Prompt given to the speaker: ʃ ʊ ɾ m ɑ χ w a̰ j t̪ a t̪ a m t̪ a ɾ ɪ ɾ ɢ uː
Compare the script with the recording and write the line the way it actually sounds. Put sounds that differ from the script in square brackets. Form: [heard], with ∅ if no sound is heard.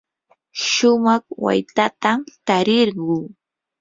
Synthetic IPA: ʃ ʊ [∅] m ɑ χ w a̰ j t̪ a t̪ a m t̪ a ɾ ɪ ɾ ɢ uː